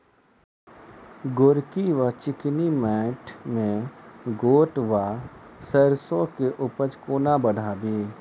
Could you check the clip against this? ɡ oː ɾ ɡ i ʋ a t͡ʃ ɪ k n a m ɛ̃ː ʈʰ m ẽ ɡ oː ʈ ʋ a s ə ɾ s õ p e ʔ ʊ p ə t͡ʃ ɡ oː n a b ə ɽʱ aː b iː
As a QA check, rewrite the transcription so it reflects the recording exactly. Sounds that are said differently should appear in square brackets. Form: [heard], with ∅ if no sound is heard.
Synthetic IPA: ɡ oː ɾ [k] i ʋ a t͡ʃ ɪ k n [i] m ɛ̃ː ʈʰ m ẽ ɡ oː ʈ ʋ a s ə ɾ s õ [k] e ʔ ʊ p ə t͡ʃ [k] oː n a b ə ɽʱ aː b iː